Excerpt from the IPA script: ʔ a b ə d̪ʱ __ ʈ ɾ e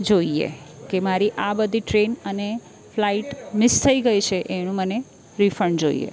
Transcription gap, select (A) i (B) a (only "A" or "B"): A